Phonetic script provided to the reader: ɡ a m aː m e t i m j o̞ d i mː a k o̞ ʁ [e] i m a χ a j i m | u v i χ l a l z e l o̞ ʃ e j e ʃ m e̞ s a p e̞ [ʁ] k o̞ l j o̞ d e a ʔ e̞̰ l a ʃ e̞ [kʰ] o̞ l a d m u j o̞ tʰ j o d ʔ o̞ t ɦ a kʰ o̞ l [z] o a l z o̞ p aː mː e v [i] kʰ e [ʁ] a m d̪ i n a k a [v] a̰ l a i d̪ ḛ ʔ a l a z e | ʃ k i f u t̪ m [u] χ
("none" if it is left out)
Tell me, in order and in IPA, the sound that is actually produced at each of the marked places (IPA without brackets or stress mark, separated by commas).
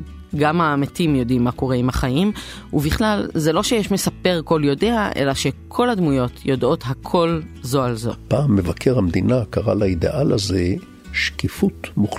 e, ʁ, kʰ, z, a, ʁ, ʁ, u